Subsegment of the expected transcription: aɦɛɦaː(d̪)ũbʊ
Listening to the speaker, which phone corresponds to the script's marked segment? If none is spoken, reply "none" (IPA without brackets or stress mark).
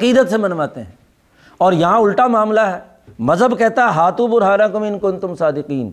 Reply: t̪